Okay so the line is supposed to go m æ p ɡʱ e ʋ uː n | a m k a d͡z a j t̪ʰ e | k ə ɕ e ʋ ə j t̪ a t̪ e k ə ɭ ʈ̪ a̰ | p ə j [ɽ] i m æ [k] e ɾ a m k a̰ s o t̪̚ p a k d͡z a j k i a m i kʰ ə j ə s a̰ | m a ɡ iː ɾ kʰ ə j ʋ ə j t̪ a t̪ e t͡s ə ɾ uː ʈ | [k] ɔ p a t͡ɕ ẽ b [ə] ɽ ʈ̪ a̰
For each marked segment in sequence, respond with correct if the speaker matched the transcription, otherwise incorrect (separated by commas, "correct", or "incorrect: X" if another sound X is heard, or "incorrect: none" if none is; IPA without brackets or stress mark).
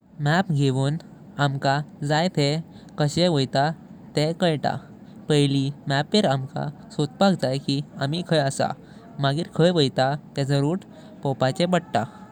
incorrect: l, incorrect: p, incorrect: p, correct